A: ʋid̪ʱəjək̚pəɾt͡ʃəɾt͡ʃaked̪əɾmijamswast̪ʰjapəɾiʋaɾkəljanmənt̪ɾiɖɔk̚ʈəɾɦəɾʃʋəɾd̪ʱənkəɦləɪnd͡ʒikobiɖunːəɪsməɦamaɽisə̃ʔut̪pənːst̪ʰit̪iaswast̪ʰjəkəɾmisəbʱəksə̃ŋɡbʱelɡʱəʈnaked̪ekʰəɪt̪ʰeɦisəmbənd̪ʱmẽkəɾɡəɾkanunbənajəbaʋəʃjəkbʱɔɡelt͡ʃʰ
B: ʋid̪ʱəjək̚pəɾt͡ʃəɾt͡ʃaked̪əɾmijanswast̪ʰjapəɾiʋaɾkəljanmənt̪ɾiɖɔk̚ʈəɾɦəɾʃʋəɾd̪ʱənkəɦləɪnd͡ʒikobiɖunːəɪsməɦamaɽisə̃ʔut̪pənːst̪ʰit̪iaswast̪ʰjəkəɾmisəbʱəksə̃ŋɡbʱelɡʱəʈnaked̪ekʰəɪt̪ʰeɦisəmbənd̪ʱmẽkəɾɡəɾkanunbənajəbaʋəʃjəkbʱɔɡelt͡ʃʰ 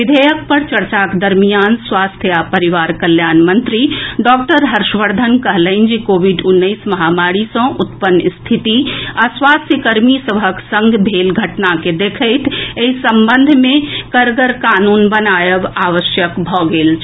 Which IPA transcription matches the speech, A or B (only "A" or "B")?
B